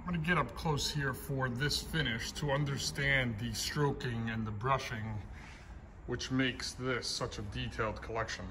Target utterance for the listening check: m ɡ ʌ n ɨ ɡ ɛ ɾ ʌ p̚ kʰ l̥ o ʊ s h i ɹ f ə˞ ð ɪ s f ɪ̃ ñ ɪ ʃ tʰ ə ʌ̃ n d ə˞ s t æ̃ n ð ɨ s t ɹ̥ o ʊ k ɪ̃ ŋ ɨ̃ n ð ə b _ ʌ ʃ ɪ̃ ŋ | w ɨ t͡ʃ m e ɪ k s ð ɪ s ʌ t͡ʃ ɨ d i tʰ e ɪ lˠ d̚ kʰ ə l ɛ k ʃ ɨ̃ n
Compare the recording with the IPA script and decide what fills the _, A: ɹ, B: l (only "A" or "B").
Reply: A